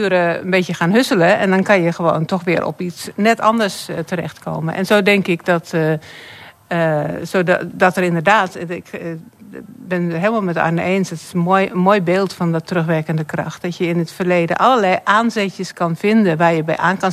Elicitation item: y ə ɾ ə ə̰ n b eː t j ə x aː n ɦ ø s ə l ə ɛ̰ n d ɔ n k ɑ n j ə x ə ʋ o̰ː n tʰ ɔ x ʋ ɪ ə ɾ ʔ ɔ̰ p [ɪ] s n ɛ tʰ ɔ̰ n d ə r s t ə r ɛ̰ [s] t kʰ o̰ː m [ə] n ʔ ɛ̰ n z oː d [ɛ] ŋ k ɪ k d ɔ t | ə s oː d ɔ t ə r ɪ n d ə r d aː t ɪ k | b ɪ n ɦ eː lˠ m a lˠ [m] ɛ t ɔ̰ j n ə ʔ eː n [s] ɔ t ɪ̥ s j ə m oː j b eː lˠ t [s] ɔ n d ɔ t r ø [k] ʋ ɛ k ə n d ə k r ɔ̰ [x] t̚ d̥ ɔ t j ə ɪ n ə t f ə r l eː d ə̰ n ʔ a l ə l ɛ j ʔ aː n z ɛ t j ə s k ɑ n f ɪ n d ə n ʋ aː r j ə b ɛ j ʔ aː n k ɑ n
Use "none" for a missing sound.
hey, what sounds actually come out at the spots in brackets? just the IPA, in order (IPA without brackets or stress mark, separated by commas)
i, x, ə, ɛ, m, s, f, x, x